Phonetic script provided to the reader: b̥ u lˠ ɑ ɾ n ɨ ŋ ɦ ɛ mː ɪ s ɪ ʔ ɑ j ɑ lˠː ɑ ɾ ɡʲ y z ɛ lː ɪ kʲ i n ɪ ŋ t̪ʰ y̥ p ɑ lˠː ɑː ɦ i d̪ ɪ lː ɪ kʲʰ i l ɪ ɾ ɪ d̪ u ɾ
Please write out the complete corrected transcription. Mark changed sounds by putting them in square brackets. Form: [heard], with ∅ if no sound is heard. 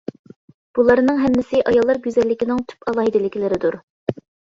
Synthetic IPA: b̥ u lˠ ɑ ɾ n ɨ ŋ ɦ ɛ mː ɪ s ɪ ʔ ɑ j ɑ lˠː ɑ ɾ ɡʲ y z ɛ lː ɪ kʲ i n ɪ ŋ t̪ʰ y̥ p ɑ [lˠ] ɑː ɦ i d̪ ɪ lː ɪ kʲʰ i l ɪ ɾ ɪ d̪ u ɾ